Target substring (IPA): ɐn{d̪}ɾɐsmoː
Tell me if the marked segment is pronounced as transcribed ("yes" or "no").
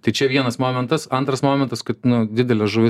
no